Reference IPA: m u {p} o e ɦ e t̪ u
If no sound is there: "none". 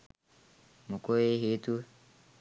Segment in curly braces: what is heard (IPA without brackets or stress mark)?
k